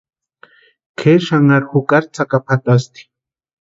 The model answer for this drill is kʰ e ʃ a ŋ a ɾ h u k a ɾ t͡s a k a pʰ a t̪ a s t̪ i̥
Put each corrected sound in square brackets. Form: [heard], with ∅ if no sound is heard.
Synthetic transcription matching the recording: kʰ e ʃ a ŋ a ɾ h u k a ɾ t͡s a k a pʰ a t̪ a s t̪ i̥